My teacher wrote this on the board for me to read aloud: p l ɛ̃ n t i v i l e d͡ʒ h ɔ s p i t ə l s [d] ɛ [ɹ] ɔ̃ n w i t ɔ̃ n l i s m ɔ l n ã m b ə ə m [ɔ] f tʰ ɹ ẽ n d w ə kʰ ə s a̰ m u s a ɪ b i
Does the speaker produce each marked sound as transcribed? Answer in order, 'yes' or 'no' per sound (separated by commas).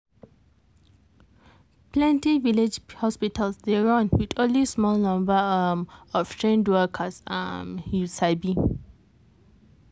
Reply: yes, yes, yes